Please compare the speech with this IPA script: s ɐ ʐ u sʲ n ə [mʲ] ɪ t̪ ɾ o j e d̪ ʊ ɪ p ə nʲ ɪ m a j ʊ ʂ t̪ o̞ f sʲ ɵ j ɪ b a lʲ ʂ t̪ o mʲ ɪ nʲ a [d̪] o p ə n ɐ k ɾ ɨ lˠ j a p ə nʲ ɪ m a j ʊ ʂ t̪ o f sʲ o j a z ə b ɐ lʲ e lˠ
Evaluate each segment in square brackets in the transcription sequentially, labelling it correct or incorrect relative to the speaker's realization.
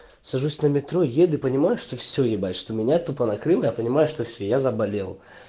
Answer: correct, incorrect: t̪

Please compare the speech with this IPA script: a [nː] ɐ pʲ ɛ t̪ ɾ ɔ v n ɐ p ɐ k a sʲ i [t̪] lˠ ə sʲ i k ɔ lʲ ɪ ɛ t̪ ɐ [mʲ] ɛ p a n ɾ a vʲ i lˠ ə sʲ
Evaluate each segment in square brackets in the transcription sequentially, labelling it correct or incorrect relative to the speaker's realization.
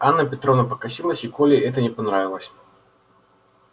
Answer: correct, incorrect: none, incorrect: nʲ

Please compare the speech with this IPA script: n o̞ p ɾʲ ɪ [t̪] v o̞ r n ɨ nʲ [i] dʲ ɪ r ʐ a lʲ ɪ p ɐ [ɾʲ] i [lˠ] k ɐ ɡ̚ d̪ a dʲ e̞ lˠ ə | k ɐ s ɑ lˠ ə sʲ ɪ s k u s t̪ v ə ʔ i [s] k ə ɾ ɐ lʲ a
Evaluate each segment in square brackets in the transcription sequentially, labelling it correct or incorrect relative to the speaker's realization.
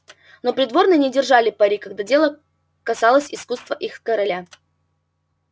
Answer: incorrect: d̪, incorrect: ɪ, correct, incorrect: none, incorrect: x

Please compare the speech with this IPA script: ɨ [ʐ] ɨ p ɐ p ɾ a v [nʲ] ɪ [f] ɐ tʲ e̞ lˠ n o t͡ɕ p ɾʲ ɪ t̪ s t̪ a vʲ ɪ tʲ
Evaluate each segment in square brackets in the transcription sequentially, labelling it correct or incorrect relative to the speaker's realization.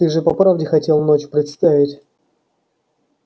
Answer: correct, incorrect: dʲ, incorrect: x

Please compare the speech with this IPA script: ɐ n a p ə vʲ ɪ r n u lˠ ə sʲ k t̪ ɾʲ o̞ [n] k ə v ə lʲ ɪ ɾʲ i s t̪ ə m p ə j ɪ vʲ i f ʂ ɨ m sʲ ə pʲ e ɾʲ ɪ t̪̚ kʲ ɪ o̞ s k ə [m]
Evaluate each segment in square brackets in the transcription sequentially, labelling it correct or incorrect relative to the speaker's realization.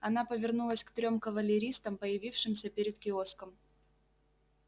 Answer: incorrect: m, correct

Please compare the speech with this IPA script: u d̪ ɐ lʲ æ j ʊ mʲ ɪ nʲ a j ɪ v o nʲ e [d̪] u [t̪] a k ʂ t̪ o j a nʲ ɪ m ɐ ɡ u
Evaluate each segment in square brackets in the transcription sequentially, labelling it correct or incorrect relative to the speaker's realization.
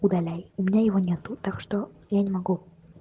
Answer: incorrect: t̪, correct

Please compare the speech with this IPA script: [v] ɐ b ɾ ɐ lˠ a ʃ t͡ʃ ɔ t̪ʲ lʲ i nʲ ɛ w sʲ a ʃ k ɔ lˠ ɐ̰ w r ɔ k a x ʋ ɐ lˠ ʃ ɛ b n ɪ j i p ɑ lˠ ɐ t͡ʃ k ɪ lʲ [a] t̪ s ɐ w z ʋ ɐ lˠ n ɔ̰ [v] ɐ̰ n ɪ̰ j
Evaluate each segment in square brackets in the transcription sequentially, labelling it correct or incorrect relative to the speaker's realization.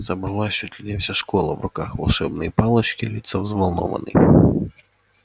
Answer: incorrect: z, incorrect: i, incorrect: ʋ

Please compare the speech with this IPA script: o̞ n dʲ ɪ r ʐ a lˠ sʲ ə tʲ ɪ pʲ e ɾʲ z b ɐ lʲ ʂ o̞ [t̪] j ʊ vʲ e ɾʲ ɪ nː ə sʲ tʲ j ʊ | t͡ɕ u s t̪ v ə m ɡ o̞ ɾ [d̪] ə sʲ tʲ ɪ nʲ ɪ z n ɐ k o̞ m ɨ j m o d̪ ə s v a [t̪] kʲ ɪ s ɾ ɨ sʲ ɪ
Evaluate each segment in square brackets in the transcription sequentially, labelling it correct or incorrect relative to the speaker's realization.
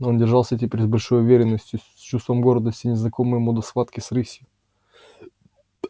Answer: incorrect: none, correct, correct

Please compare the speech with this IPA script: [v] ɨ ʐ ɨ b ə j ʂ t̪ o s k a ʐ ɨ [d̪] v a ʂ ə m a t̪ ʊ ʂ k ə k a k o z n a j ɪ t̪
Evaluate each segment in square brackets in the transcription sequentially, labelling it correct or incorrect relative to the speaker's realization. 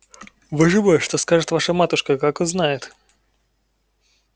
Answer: correct, incorrect: t̪

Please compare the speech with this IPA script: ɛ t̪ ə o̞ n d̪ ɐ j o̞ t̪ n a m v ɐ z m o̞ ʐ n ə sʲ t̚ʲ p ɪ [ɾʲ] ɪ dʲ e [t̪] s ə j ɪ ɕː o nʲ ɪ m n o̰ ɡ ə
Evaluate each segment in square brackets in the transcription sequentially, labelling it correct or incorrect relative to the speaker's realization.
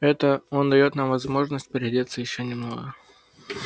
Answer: correct, correct

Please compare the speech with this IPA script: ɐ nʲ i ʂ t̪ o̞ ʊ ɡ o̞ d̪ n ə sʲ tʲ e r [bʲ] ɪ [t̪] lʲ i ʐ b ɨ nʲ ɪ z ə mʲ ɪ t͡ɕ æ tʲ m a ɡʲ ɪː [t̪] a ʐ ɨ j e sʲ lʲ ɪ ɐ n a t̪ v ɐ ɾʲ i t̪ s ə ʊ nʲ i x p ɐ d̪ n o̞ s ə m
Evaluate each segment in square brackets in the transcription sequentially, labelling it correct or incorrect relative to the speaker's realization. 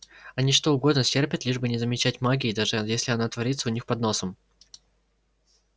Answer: incorrect: pʲ, correct, incorrect: d̪

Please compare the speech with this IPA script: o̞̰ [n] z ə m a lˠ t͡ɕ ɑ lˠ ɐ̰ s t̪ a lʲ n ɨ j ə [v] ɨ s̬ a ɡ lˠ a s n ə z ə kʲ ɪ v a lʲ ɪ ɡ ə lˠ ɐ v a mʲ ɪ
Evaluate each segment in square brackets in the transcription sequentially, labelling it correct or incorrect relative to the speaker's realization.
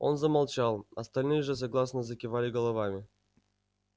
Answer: correct, incorrect: ʐ

